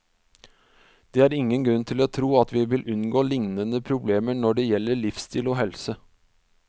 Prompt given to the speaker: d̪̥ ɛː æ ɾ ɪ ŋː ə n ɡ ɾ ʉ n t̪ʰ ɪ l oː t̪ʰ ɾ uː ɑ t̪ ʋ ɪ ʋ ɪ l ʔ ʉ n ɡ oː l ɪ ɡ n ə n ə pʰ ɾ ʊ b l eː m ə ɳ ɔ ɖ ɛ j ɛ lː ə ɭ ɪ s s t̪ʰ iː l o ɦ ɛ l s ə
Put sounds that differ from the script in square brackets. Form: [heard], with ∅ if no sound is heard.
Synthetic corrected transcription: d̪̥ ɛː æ ɾ ɪ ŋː ə n ɡ ɾ ʉ n t̪ʰ ɪ l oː t̪ʰ ɾ uː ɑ t̪ ʋ ɪ ʋ ɪ l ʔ ʉ n ɡ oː l ɪ [ŋ] n ə n ə pʰ ɾ ʊ b l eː m ə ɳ ɔ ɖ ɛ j ɛ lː ə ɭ ɪ [f] s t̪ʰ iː l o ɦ ɛ l s ə